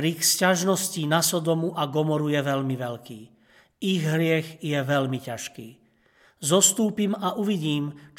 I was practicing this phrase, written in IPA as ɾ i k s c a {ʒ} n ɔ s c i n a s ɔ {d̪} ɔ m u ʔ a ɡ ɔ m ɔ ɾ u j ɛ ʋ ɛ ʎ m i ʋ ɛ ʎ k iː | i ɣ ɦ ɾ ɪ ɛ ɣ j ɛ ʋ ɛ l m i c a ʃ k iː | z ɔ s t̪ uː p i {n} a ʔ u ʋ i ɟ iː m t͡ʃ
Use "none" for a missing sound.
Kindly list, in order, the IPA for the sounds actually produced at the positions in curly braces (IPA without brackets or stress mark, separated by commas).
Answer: ʒ, d̪, m